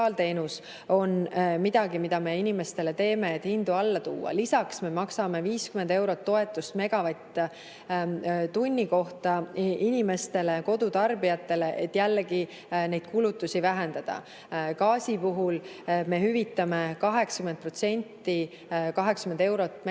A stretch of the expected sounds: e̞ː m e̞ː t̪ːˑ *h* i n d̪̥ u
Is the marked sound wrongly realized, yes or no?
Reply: no